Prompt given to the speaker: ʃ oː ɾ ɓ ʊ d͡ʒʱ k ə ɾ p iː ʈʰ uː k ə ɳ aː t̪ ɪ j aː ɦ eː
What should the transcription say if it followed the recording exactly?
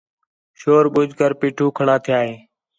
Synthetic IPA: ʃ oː ɾ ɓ ʊ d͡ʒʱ k ə ɾ p iː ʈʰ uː kʰ ə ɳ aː t̪ʰ ɪ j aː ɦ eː